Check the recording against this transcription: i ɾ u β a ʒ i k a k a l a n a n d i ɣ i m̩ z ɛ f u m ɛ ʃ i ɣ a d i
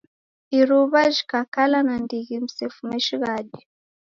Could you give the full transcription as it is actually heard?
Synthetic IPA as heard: i ɾ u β a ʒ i k a k a l a n a n d i ɣ i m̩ s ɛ f u m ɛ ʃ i ɣ a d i